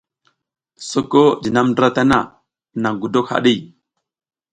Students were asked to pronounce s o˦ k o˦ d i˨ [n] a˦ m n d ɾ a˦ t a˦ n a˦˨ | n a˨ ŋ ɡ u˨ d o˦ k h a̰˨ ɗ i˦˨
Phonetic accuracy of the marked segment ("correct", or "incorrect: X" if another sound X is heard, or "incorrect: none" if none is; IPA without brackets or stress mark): correct